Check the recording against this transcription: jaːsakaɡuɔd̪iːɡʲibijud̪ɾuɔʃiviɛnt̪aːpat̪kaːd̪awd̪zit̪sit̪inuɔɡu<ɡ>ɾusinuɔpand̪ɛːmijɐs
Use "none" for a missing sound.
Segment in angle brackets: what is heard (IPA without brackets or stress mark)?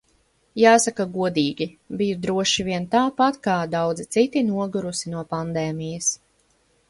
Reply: none